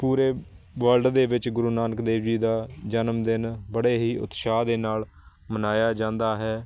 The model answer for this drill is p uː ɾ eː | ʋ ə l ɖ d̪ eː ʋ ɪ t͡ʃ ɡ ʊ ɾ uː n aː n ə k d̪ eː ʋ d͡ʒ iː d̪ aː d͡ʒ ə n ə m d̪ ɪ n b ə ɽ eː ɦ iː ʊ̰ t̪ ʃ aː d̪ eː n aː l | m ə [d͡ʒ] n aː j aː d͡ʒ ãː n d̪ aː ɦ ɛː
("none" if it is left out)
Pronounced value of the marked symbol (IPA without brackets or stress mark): none